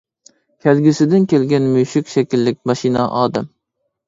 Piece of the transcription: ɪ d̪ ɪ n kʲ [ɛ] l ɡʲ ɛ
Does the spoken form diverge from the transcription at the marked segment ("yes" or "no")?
yes